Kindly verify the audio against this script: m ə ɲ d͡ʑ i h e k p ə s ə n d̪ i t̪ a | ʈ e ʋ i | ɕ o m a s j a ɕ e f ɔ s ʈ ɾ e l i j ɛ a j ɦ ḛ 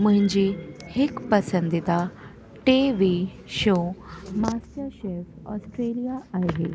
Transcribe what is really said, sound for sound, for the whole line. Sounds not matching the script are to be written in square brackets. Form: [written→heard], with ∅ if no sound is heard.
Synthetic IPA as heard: m ə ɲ d͡ʑ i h e k p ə s ə n d̪ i t̪ a | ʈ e ʋ i | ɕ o m a s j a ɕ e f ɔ s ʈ ɾ e l i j [ɛ→a] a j ɦ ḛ